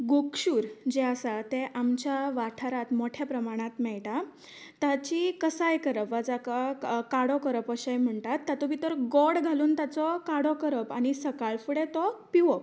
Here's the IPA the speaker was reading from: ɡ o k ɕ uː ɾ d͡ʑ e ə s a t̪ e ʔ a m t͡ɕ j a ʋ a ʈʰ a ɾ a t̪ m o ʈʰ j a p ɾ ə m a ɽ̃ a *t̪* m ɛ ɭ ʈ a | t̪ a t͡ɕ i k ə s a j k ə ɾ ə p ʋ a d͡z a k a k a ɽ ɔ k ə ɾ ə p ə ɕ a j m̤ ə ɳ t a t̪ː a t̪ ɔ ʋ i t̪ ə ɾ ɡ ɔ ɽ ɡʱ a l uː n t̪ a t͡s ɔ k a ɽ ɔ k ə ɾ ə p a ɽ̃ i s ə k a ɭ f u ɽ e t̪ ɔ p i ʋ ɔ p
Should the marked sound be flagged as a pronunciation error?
no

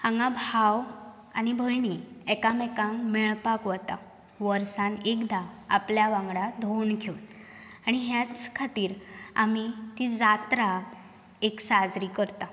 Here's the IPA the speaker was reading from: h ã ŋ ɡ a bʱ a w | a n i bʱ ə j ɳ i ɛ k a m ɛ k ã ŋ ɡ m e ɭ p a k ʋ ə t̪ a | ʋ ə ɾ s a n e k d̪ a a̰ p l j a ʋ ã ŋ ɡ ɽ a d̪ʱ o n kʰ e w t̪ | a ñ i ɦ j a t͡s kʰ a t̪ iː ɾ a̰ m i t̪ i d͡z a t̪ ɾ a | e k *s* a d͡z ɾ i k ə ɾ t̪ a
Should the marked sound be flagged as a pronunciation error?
no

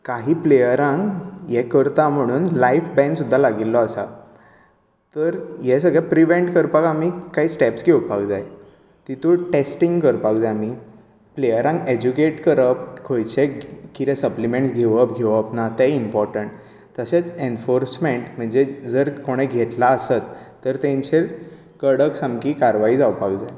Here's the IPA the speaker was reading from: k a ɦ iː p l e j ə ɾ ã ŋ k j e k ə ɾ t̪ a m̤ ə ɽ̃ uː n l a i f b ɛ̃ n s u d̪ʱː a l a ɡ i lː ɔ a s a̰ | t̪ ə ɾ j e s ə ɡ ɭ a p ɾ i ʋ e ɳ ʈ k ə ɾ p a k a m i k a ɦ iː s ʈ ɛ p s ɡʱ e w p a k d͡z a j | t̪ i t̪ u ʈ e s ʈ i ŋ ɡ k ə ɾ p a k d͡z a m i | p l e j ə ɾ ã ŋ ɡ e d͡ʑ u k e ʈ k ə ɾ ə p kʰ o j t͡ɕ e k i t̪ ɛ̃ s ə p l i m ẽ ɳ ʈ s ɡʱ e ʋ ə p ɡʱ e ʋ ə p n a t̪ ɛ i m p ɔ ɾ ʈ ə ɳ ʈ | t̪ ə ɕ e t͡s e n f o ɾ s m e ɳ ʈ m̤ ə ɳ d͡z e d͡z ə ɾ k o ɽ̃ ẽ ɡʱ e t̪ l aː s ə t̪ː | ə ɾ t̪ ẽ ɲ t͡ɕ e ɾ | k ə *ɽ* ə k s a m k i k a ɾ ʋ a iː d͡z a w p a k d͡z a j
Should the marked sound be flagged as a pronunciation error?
no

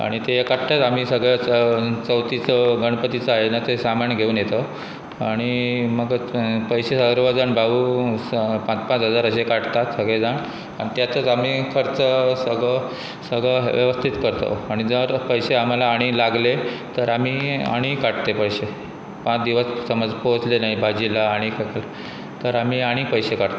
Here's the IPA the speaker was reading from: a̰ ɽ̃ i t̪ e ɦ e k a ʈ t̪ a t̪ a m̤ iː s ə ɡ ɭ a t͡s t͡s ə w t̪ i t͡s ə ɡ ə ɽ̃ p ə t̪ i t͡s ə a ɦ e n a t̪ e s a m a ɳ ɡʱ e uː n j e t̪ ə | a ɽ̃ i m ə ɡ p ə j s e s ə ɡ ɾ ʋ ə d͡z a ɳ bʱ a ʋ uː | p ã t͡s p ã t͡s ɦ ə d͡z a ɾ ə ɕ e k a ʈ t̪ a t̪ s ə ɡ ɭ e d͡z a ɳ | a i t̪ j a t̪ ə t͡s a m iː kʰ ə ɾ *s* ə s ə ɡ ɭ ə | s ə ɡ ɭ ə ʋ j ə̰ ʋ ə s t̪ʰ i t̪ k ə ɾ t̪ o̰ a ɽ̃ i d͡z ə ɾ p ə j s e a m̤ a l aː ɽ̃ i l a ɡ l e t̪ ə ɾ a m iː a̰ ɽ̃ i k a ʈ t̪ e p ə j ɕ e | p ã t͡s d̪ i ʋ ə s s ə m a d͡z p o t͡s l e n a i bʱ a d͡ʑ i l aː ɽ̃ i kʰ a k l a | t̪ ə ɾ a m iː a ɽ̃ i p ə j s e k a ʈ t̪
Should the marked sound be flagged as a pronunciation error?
yes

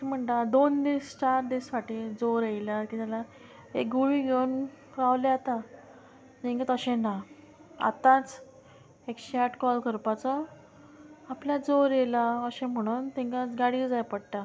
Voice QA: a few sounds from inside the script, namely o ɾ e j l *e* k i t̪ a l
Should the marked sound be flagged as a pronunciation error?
yes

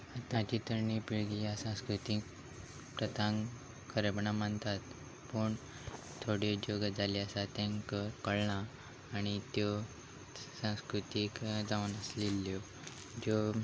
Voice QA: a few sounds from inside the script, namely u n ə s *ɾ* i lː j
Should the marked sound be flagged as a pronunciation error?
yes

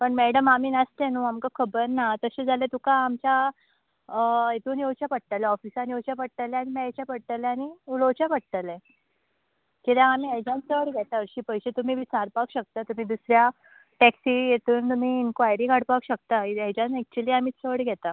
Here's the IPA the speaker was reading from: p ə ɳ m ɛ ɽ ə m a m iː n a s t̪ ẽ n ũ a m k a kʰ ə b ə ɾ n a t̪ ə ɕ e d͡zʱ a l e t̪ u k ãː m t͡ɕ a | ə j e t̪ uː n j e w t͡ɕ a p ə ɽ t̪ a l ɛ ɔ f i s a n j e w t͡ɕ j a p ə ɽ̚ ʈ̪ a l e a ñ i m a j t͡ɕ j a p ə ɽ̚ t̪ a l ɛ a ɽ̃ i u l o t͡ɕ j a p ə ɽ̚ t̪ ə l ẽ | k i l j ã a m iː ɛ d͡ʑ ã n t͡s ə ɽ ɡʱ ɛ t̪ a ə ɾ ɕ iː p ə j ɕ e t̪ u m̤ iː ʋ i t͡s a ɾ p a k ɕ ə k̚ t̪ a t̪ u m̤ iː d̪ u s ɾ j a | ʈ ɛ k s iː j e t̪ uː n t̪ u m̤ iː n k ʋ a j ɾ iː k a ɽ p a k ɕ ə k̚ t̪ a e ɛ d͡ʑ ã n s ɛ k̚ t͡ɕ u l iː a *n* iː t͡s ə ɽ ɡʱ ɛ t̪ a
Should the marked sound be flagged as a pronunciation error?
yes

